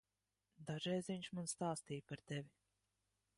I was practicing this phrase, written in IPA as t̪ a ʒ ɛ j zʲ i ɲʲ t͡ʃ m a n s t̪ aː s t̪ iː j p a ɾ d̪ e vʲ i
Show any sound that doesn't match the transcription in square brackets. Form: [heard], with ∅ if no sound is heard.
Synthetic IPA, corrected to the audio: [d̪] a ʒ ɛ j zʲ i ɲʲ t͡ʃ m a n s t̪ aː s t̪ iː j p a ɾ [t̪] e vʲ i